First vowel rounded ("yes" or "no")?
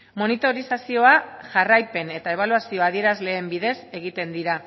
yes